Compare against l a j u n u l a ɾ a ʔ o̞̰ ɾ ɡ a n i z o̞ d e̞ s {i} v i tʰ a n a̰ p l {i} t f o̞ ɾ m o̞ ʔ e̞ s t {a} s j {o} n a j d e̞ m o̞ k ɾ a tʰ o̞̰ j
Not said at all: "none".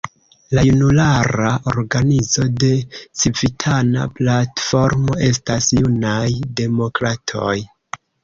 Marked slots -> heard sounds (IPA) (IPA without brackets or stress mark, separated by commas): i, a, a, u